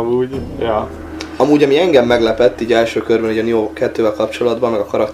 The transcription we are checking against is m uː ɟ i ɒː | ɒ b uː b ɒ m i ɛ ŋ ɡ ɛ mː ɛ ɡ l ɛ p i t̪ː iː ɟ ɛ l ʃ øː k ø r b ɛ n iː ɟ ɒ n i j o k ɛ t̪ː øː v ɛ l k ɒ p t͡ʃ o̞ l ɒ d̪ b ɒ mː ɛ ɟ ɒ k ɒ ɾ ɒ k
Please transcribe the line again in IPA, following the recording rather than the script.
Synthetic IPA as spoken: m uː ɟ j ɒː | ɒ m uː ɟ ɒ m i ɛ ŋ ɡ ɛ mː ɛ ɡ l ɛ p ɛ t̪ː iː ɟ ɛ l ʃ øː k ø r b ɛ n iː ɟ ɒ n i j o k ɛ t̪ː øː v ɛ l k ɒ p t͡ʃ o̞ l ɒ d̪ b ɒ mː ɛ ɡ ɒ k ɒ ɾ ɒ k